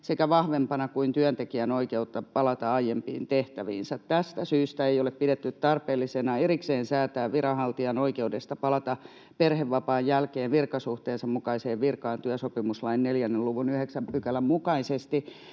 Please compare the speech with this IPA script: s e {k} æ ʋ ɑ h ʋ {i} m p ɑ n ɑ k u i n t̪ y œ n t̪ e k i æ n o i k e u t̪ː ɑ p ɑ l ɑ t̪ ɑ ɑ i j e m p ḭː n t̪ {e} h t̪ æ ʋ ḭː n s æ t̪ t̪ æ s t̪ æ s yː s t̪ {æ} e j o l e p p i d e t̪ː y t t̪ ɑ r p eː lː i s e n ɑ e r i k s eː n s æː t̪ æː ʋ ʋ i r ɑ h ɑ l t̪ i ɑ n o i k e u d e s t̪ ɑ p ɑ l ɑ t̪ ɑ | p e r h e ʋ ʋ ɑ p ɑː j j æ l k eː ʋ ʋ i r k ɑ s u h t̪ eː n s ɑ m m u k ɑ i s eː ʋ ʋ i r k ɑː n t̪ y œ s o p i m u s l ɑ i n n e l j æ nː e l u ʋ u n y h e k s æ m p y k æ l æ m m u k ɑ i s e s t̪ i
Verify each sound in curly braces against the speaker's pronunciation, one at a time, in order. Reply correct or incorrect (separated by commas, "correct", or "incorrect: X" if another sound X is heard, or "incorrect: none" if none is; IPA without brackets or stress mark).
correct, incorrect: e, correct, correct